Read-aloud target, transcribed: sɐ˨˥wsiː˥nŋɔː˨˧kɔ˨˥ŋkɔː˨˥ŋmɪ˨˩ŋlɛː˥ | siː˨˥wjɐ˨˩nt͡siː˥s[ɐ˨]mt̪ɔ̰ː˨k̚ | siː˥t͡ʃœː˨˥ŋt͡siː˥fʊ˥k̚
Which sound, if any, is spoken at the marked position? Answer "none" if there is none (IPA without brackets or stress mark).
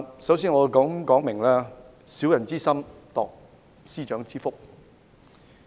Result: ɐ˥